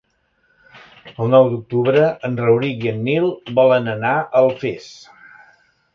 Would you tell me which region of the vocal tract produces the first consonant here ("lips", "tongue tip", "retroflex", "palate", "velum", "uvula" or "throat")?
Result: tongue tip